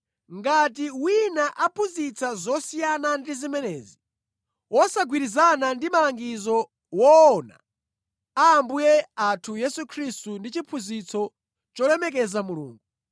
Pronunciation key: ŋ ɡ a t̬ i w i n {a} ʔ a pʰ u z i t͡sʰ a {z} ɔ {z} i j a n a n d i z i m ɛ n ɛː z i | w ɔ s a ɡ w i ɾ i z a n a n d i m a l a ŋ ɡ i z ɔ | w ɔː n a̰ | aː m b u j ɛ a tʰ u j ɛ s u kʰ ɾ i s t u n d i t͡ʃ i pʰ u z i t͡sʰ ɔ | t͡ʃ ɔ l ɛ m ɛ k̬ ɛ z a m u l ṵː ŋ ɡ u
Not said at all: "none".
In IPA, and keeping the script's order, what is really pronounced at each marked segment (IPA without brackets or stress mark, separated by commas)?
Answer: a, z, s